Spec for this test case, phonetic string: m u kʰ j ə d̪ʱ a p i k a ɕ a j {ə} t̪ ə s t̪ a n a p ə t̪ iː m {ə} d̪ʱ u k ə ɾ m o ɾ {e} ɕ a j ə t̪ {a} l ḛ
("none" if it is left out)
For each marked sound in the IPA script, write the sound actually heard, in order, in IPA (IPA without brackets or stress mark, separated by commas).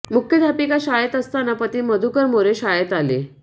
ə, ə, e, a